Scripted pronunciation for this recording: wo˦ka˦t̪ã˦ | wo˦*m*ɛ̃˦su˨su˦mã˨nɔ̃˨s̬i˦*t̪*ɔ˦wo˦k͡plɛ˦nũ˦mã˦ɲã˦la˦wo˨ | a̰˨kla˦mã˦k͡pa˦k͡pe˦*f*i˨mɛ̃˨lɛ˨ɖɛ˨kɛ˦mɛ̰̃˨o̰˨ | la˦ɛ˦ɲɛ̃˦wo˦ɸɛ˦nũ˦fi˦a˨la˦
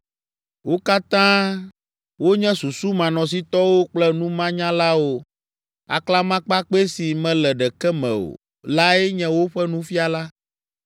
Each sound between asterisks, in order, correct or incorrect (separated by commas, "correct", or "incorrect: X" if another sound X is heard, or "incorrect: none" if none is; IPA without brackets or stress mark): incorrect: ɲ, correct, incorrect: s